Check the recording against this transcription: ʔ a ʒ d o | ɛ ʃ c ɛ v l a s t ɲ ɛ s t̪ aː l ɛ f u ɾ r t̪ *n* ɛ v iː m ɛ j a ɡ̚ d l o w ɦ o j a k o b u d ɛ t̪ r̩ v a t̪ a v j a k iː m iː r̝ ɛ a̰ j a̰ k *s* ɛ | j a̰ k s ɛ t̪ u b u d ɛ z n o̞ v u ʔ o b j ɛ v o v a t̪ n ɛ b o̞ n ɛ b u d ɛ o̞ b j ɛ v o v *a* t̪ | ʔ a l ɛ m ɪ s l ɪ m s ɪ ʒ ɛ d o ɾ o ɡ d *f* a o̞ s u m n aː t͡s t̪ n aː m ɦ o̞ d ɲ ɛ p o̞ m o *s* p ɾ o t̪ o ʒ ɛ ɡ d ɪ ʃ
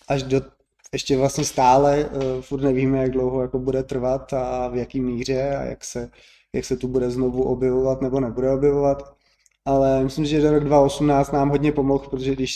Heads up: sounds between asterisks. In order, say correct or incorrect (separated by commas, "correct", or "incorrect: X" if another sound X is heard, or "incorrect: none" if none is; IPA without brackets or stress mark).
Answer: correct, correct, correct, incorrect: v, incorrect: x